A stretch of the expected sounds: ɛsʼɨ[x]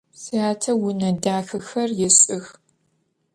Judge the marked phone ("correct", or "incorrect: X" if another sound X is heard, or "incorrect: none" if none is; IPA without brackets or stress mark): correct